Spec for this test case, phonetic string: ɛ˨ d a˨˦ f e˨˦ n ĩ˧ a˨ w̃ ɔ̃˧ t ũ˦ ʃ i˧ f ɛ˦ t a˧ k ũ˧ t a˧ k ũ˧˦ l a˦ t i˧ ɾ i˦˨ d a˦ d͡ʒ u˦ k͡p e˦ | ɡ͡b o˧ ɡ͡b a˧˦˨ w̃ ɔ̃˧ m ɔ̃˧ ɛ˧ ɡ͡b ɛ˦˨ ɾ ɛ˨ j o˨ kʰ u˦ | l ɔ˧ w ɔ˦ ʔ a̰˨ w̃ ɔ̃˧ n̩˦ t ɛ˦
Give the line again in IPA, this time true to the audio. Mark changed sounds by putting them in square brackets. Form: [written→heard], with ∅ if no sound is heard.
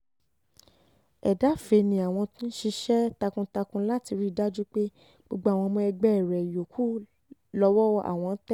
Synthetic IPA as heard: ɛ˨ d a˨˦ f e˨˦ n ĩ˧ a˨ w̃ ɔ̃˧ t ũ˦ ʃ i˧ [f→ʃ] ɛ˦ t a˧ k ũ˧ t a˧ k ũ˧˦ l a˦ t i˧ ɾ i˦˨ d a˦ d͡ʒ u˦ k͡p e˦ | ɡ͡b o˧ ɡ͡b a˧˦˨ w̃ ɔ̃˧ m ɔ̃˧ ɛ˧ ɡ͡b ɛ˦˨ ɾ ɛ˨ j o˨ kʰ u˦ | l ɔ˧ w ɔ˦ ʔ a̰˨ w̃ ɔ̃˧ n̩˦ t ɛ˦